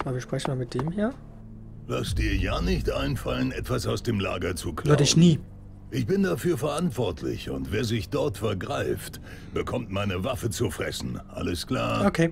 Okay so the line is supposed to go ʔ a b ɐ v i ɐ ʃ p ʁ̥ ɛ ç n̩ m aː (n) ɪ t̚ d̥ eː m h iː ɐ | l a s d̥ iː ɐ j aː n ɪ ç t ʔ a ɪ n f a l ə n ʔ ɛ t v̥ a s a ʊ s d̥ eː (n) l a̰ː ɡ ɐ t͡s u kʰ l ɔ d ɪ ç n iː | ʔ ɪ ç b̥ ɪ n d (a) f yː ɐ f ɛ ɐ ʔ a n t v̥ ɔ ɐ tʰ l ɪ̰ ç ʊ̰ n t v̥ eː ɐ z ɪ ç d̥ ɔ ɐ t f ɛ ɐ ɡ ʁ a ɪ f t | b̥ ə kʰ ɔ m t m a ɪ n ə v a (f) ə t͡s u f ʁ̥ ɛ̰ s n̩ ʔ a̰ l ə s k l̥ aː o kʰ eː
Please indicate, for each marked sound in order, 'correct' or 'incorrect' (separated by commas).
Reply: incorrect, incorrect, correct, correct